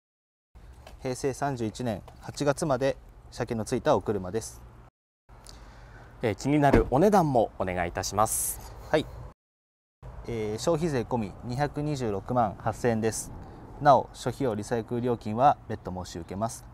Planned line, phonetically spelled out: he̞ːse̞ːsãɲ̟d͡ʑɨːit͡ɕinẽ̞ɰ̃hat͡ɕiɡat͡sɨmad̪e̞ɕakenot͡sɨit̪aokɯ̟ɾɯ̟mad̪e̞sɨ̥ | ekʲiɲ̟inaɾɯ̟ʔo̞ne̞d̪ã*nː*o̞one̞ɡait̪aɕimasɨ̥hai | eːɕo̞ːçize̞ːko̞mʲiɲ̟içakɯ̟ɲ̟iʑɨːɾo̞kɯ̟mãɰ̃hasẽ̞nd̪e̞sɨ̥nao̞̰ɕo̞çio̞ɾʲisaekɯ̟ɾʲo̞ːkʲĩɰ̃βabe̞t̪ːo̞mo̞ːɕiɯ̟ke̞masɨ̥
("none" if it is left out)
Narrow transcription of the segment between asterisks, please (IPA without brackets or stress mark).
mː